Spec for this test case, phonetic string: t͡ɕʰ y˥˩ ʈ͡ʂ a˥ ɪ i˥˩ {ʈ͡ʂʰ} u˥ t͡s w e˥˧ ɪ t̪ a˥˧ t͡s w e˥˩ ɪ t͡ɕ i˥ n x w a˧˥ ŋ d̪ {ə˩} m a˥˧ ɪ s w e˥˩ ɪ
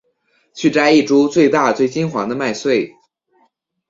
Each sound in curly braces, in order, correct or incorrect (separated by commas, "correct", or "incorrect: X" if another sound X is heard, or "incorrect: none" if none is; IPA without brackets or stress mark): incorrect: ʈ͡ʂ, incorrect: ə˧